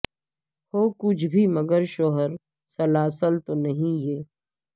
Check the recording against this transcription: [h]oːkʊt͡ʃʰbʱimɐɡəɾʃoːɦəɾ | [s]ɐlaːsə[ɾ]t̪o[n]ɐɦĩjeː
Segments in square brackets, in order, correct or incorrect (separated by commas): correct, correct, incorrect, correct